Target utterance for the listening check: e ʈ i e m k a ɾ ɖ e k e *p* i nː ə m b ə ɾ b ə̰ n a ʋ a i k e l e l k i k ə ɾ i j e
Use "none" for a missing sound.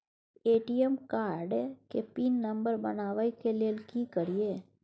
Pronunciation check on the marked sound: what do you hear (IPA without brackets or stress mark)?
p